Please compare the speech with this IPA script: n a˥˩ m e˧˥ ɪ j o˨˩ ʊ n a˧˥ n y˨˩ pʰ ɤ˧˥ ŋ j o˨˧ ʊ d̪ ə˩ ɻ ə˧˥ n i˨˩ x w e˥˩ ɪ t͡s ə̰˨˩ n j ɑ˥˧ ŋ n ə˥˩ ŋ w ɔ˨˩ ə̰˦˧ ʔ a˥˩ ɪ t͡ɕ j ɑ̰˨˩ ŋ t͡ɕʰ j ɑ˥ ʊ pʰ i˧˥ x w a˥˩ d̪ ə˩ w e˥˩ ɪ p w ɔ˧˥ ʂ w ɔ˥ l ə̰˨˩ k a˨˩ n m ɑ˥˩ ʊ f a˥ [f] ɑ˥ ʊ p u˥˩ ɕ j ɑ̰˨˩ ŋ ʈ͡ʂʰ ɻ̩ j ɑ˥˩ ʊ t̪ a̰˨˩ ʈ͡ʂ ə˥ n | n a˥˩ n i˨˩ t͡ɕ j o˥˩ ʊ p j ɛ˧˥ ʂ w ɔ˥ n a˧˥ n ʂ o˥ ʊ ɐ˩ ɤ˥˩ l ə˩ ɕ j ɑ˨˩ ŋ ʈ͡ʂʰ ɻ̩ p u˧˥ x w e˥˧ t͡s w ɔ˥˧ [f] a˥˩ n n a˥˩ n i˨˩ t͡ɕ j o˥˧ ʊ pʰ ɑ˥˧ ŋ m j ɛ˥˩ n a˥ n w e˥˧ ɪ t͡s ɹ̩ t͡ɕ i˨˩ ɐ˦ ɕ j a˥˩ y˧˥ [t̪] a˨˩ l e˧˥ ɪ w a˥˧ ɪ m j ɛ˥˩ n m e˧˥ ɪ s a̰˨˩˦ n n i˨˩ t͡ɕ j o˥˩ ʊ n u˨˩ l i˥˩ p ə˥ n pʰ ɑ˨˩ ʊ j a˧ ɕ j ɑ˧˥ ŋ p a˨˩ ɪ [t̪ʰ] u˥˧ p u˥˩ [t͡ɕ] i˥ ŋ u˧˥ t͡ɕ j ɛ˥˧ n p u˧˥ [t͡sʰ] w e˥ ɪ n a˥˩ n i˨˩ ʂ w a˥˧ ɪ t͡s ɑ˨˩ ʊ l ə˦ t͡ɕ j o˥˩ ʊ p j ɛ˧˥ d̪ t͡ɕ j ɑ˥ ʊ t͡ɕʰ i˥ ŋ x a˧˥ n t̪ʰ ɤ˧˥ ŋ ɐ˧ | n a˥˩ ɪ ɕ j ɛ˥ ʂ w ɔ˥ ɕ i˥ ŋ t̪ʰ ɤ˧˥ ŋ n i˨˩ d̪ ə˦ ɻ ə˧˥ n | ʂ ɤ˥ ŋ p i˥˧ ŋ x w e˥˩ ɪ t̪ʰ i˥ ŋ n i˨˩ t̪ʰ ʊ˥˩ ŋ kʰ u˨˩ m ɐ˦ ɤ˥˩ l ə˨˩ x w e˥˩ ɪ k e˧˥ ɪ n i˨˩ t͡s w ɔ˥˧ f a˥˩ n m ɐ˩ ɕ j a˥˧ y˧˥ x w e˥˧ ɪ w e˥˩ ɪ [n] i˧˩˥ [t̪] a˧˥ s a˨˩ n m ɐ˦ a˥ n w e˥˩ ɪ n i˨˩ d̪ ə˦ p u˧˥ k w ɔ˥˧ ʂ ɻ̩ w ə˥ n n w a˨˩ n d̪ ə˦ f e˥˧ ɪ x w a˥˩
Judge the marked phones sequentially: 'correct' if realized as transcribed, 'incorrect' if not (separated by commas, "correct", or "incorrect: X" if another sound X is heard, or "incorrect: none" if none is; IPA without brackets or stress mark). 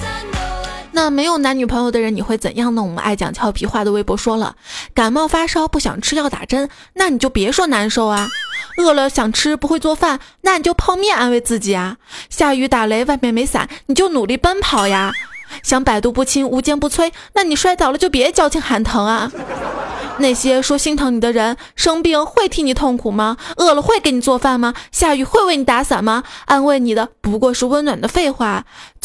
incorrect: ʂ, correct, correct, incorrect: t̪, incorrect: t͡ɕʰ, correct, correct, correct